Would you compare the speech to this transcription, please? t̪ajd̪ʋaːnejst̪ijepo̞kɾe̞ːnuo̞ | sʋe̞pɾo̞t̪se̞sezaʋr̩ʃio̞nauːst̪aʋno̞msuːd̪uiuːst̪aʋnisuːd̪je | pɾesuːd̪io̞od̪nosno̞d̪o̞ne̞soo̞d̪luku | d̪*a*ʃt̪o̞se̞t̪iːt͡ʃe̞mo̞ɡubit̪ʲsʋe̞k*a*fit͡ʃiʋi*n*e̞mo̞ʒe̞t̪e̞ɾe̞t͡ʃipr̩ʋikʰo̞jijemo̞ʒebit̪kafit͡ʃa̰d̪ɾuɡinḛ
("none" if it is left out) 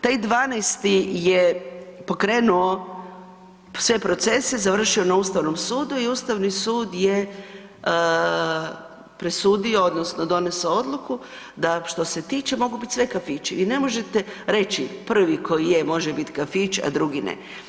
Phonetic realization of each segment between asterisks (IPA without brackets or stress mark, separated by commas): a, a, n